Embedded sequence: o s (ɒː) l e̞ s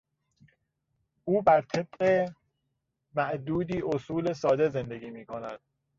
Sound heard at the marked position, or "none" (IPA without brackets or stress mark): uː